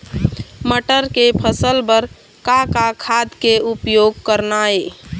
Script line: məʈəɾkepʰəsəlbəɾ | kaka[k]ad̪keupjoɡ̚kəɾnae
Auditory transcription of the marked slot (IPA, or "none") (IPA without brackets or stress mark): kʰ